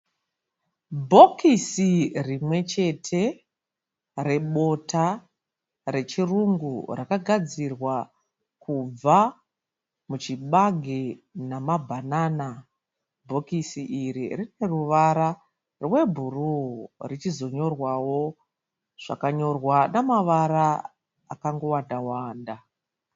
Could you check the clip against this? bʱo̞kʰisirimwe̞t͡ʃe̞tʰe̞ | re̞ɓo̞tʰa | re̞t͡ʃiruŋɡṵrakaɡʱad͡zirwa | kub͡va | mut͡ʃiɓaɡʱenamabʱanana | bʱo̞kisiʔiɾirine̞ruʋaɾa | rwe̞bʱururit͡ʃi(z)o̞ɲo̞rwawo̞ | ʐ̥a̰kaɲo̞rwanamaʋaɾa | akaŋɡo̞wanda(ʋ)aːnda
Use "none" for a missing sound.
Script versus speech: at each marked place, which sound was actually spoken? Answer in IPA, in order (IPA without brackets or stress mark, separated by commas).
z, w